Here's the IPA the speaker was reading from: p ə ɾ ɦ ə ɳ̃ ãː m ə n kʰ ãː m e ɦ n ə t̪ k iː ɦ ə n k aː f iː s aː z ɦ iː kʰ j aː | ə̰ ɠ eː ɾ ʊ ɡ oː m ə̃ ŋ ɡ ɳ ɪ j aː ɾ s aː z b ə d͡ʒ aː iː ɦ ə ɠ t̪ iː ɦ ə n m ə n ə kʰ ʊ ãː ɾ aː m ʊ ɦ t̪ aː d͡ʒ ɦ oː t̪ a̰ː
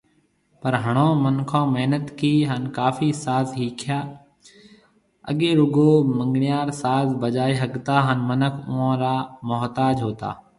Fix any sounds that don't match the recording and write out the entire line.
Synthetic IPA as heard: p ə ɾ ɦ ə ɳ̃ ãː m ə n kʰ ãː m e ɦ n ə t̪ k iː ɦ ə n k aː f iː s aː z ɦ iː kʰ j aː | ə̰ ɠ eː ɾ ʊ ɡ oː m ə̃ ŋ ɡ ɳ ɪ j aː ɾ s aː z b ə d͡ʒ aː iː ɦ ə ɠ t̪ aː ɦ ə n m ə n ə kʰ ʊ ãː ɾ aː m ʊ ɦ t̪ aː d͡ʒ ɦ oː t̪ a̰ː